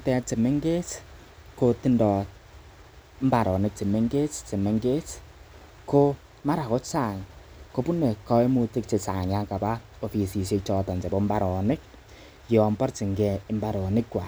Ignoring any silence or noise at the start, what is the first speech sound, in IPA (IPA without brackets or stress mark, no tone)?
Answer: t